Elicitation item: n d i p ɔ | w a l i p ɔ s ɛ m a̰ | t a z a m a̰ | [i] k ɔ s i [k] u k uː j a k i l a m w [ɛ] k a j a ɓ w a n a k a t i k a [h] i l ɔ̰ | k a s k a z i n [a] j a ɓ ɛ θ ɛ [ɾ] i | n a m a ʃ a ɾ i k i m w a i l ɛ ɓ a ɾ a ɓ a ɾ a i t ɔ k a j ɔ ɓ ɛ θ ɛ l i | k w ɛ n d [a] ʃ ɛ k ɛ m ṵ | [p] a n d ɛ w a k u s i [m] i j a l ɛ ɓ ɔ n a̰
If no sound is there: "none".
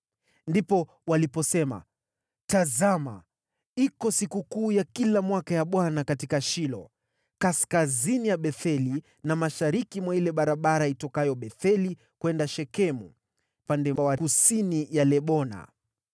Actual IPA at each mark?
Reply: i, k, a, ʃ, i, l, a, p, n

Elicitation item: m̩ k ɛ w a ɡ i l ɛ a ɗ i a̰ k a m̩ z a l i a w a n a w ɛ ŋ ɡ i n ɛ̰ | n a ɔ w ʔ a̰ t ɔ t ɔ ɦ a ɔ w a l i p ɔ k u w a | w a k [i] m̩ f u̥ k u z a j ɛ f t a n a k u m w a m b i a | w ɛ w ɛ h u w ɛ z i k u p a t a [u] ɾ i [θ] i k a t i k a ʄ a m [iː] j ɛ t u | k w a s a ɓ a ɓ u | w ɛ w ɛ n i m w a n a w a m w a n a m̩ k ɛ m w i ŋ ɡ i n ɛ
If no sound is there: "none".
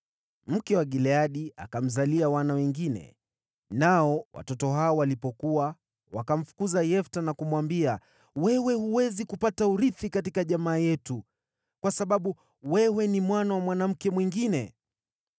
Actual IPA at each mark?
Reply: a, u, θ, aː

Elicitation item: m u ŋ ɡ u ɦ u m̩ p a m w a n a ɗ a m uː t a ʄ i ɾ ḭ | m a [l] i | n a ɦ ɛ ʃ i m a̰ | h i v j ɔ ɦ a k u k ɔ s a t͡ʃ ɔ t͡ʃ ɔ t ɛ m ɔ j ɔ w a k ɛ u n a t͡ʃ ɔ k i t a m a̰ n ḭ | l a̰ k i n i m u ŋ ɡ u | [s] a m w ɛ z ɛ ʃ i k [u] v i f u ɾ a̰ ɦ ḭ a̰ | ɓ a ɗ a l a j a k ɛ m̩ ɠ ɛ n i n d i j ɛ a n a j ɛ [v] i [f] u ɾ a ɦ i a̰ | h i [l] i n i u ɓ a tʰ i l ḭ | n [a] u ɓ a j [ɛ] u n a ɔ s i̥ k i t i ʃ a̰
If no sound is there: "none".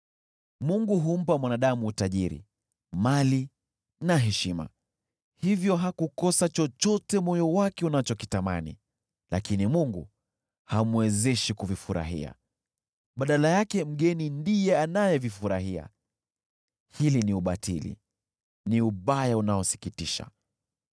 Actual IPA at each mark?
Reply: l, h, u, v, f, l, i, a

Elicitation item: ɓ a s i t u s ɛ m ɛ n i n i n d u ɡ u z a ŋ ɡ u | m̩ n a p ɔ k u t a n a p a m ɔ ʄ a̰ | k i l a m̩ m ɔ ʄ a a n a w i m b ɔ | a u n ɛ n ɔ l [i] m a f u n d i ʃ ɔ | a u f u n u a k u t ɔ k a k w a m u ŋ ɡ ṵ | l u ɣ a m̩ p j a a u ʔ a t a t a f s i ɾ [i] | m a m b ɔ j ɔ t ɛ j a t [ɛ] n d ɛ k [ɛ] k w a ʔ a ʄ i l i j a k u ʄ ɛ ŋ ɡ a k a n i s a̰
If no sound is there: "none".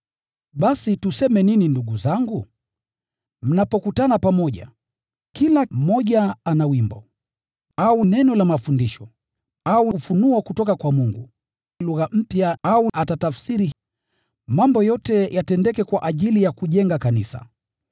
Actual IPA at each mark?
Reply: a, i, ɛ, ɛ

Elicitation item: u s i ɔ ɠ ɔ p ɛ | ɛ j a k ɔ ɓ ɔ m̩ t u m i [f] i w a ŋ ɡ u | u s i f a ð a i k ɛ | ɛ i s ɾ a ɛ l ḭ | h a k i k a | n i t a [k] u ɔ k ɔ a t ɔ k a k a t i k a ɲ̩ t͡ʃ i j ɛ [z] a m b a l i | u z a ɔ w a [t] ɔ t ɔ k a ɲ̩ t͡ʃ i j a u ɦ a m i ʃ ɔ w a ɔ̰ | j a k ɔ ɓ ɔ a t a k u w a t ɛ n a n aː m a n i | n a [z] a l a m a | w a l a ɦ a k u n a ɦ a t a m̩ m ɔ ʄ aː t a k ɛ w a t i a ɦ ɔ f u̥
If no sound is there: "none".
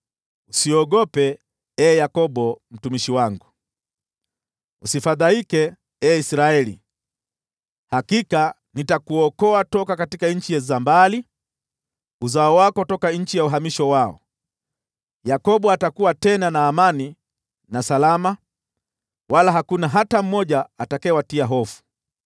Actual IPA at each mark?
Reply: ʃ, k, z, k, s

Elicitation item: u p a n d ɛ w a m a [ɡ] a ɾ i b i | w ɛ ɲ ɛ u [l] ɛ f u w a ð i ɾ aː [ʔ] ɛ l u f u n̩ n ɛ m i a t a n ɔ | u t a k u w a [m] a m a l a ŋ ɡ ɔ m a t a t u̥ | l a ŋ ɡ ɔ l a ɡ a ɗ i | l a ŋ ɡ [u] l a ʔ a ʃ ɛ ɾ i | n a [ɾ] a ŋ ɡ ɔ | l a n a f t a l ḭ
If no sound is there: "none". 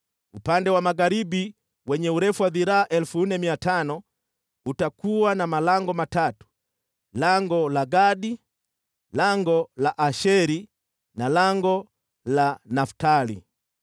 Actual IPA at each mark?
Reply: ɡ, ɾ, ʔ, n, ɔ, l

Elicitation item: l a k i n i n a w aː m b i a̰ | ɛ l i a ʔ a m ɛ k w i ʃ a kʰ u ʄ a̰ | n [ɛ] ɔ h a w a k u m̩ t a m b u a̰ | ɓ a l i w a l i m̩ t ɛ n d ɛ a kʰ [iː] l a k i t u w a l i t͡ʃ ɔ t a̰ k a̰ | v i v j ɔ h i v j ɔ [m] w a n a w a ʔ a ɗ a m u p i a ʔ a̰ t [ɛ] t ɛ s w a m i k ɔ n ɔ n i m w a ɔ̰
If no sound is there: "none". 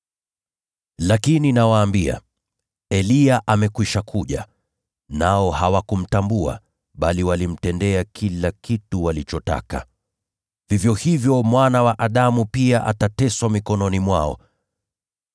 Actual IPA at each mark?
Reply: a, i, m, a

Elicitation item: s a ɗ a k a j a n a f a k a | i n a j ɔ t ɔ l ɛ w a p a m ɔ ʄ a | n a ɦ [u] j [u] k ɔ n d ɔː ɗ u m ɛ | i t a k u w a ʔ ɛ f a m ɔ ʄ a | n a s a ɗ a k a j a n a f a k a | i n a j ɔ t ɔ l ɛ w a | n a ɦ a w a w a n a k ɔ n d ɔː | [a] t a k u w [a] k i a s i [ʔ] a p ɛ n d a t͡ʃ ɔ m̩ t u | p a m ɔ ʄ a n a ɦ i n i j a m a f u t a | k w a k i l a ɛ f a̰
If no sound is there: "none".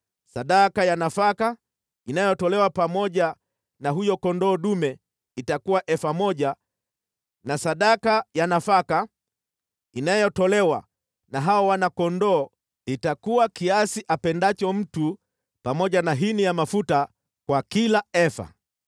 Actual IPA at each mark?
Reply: u, ɔ, i, a, ʔ

